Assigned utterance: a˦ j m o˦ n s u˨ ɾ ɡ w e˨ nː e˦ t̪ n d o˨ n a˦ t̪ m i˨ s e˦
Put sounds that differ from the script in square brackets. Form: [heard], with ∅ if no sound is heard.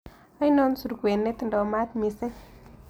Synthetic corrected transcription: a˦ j [n] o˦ n s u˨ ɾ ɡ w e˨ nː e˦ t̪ n d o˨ [m] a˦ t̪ m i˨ s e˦